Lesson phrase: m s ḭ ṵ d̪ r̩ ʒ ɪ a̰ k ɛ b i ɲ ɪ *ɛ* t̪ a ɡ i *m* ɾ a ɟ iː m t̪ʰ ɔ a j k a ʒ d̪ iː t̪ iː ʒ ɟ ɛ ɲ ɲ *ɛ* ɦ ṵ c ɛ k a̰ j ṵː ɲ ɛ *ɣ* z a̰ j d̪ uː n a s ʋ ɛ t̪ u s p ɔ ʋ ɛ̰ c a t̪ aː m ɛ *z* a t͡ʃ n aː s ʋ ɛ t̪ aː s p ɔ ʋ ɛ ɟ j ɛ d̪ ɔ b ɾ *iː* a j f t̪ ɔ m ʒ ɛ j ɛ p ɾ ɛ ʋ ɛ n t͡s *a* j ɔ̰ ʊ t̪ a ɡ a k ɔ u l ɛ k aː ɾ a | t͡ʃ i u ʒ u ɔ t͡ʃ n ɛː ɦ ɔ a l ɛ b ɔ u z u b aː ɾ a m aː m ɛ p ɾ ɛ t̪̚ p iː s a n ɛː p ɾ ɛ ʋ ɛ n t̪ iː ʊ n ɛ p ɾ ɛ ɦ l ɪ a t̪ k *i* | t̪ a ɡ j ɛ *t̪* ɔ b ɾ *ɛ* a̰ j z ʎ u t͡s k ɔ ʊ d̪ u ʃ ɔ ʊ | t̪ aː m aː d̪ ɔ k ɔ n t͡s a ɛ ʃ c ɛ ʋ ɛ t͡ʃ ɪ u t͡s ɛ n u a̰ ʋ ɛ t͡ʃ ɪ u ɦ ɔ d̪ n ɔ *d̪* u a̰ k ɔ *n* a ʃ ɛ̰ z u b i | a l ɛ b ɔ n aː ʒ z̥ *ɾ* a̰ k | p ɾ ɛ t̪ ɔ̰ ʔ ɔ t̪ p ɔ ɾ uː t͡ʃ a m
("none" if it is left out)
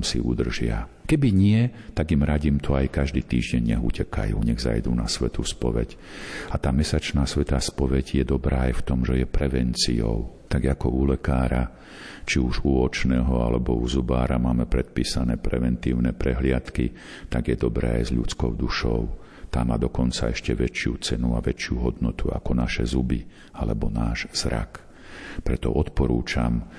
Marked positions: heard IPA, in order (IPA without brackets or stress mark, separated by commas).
ɛ, m, ɛ, ɣ, s, aː, i, i, d̪, ɛː, t̪, n, ɾ